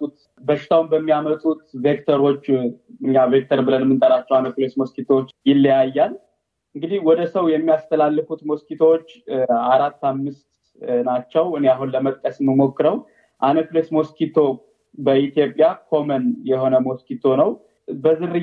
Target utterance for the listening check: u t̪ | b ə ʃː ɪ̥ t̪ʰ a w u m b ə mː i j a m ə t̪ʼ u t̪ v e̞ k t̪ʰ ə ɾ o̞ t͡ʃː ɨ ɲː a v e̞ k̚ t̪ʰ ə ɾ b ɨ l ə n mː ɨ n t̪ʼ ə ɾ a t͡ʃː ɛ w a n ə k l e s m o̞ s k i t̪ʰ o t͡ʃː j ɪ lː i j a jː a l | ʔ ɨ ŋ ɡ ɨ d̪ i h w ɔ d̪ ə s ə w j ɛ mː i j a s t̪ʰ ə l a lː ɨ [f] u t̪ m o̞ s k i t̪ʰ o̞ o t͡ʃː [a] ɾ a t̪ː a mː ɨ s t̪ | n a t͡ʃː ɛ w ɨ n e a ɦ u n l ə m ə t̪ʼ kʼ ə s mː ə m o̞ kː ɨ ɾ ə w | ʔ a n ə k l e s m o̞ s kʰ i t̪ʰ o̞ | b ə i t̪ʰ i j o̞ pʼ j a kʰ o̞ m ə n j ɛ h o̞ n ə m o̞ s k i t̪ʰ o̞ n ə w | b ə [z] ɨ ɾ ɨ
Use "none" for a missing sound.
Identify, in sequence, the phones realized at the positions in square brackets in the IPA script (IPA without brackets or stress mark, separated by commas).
f, a, z